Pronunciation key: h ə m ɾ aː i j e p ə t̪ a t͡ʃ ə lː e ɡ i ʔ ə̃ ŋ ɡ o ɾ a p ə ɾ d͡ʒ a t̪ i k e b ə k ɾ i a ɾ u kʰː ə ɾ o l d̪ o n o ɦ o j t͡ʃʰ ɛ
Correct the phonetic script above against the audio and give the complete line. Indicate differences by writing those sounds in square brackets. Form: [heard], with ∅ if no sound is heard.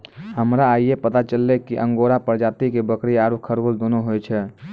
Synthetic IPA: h ə m ɾ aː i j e p ə t̪ a t͡ʃ ə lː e [k] i ʔ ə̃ ŋ ɡ o ɾ a p ə ɾ d͡ʒ a t̪ i k e b ə k ɾ i a ɾ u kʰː ə ɾ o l d̪ o n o ɦ o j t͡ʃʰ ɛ